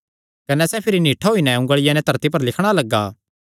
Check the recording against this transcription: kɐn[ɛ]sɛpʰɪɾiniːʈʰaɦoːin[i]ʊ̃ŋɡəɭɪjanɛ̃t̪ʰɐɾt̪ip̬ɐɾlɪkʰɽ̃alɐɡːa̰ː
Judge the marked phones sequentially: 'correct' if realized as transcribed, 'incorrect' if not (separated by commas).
correct, incorrect